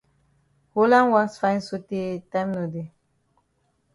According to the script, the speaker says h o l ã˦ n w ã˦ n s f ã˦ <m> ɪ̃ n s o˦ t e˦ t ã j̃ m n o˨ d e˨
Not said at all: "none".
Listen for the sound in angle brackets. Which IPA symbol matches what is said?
none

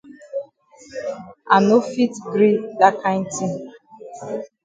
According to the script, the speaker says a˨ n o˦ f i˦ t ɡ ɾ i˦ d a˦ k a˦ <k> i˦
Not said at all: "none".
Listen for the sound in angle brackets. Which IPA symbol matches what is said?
t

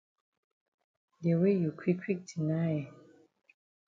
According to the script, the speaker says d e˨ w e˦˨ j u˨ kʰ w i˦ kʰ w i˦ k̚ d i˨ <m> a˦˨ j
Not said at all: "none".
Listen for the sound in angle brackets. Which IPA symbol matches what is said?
n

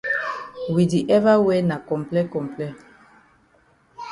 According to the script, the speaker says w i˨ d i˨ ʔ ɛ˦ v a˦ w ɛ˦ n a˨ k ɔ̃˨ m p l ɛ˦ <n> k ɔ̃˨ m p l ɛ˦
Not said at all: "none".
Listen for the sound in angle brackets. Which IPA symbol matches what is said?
none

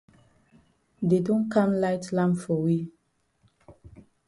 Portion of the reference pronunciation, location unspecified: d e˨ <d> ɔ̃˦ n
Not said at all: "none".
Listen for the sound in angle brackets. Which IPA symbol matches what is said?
d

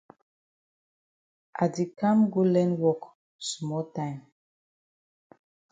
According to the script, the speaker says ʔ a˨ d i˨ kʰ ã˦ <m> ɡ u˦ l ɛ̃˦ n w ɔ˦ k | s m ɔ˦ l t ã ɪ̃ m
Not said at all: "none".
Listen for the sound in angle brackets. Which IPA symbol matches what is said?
m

